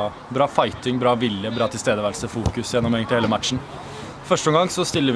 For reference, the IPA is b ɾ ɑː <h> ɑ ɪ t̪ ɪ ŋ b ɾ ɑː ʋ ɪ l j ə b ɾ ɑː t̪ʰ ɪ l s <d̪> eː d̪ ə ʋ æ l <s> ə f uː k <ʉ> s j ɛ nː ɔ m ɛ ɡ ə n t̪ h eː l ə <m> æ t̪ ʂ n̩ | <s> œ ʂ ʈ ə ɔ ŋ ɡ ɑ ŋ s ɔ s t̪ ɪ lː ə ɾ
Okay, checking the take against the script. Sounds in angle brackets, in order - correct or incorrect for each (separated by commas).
incorrect, incorrect, correct, correct, correct, incorrect